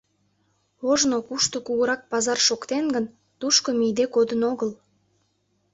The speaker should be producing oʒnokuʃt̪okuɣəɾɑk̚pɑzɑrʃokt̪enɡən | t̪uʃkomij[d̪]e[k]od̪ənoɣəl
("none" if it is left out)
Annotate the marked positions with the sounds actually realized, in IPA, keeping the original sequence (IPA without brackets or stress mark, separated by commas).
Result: d̪, k